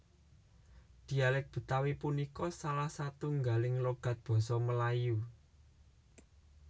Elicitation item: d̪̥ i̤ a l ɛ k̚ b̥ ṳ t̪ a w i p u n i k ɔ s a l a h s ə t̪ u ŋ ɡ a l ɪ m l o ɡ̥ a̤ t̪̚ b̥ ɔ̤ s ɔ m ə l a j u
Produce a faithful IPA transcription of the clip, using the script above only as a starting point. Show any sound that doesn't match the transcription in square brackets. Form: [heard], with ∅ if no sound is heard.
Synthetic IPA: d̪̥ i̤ a l ɛ k̚ b̥ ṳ t̪ a w i p u n i k ɔ s a l a h s [a] t̪ u ŋ ɡ a l ɪ [ŋ] l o ɡ̥ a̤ t̪̚ b̥ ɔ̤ s ɔ m ə l a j u

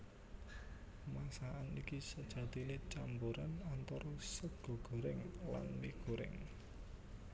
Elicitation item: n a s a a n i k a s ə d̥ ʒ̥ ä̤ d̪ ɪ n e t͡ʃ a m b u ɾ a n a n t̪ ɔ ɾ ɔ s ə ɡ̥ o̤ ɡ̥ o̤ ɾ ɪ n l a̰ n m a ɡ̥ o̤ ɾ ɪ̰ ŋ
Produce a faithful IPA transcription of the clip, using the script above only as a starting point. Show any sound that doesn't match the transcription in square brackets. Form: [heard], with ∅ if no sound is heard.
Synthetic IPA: [m] a s a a n i k [i] s ə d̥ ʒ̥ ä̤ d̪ [i] n e t͡ʃ a m b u ɾ a n a n t̪ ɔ ɾ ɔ s ə ɡ̥ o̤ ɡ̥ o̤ ɾ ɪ [ŋ] l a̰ n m [i] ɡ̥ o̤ ɾ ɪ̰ ŋ

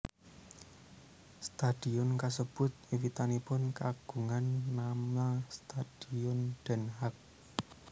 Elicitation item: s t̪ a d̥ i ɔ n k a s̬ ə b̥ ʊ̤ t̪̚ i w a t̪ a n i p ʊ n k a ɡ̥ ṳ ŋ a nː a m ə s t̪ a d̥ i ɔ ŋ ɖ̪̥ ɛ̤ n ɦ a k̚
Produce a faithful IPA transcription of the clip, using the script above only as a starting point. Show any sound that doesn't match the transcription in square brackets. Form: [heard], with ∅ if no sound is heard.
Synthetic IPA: s t̪ a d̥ i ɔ n k a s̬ ə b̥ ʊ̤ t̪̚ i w [i] t̪ a n i p ʊ n k a ɡ̥ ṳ ŋ a nː a m [a] s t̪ a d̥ i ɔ [n] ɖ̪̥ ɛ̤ n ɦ a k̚

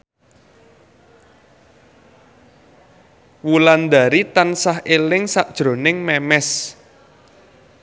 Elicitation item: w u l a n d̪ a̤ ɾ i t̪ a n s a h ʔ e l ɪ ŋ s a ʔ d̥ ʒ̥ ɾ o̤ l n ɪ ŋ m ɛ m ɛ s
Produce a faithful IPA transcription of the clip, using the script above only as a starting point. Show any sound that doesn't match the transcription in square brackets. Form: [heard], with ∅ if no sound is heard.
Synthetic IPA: w u l a n d̪ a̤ ɾ i t̪ a n s a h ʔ e l ɪ ŋ s a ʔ d̥ ʒ̥ ɾ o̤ [∅] n ɪ ŋ m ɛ m ɛ s

